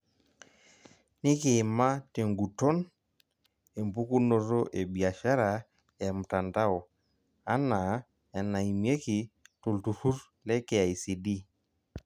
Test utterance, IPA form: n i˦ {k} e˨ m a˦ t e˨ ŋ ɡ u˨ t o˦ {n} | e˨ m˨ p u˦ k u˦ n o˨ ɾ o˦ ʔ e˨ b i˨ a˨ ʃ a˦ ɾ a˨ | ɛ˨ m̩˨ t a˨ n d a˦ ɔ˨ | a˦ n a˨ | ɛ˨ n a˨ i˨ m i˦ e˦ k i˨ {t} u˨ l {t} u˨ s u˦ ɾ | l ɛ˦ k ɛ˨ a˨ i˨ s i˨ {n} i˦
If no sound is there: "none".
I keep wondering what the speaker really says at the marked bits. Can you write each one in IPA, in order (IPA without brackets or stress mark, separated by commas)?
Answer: k, n, t, t, d